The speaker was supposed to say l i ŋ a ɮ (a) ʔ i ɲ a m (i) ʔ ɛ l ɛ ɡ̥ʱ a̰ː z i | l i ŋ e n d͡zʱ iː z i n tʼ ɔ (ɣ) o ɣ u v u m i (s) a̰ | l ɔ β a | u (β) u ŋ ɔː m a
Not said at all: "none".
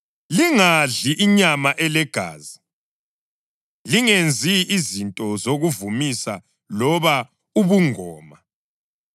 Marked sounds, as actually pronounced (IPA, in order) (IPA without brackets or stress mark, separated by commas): i, a, z, s, β